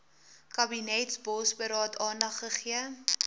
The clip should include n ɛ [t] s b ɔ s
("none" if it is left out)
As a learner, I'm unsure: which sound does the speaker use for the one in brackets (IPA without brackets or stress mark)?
t